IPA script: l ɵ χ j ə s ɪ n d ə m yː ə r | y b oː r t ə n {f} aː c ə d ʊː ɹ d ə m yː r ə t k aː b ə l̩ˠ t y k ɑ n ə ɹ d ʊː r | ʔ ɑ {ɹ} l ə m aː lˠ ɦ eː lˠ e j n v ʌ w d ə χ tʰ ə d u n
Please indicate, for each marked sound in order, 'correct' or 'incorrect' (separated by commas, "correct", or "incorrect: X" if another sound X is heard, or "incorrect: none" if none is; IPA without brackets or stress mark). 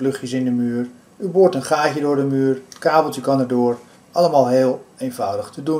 incorrect: χ, incorrect: none